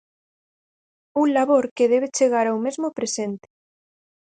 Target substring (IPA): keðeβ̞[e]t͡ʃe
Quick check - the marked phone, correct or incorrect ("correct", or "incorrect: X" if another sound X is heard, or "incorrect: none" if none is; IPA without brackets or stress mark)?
correct